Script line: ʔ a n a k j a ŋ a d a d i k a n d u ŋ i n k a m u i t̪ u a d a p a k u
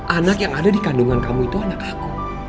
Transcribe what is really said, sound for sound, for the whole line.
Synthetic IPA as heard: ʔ a n a k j a ŋ a d a d i k a n d u ŋ a n k a m u i t̪ u a n a k a k u